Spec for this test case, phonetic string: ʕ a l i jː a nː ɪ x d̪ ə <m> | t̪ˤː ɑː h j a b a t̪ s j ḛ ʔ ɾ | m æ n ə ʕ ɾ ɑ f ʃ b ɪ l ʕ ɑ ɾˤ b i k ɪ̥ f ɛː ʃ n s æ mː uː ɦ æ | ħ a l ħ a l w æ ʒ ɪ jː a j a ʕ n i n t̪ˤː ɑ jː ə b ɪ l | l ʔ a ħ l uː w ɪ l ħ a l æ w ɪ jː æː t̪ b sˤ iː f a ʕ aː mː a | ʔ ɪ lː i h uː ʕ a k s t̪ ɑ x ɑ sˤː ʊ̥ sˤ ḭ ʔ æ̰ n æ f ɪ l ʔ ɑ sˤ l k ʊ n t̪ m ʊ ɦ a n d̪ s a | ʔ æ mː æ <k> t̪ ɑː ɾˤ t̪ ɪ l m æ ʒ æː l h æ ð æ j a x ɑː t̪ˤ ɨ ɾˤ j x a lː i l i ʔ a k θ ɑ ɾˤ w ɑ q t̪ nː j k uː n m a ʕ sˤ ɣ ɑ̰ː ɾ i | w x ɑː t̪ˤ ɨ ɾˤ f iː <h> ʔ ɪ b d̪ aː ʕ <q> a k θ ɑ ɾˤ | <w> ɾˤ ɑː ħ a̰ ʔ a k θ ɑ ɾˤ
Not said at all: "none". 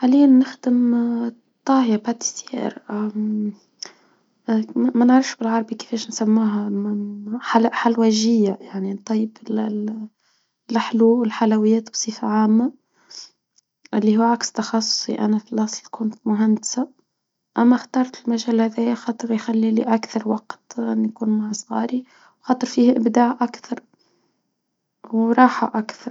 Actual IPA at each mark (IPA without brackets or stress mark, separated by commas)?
m, x, h, ʔ, w